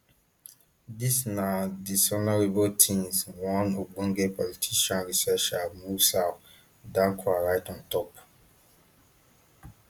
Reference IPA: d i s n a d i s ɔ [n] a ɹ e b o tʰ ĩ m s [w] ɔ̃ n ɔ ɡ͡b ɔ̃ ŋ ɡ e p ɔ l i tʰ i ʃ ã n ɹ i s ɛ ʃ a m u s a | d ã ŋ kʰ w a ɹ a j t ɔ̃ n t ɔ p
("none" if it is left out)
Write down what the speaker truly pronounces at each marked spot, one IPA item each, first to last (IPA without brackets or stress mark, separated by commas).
n, w